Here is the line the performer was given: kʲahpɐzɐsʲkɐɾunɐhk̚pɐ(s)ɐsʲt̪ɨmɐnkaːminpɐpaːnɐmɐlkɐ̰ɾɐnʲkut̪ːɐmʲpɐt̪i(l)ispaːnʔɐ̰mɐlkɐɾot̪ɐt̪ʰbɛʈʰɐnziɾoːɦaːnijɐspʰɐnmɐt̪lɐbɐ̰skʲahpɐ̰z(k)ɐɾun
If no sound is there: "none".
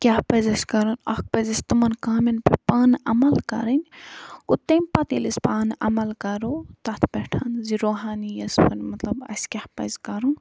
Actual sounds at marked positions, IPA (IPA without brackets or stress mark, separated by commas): z, l, k